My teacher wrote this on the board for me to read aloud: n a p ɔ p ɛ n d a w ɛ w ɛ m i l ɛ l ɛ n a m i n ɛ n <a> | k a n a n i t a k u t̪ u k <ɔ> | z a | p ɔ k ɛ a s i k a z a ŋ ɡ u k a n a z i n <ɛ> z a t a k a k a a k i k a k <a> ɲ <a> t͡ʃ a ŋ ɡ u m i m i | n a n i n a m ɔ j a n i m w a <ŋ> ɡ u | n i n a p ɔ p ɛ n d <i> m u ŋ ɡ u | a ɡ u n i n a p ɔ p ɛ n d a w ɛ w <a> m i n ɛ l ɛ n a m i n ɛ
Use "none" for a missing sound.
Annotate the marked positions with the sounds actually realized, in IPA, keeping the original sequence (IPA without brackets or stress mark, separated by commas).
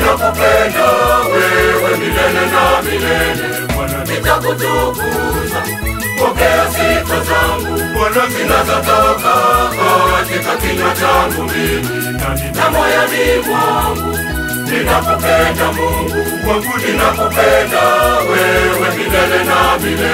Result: ɛ, u, a, i, a, ŋ, a, ɛ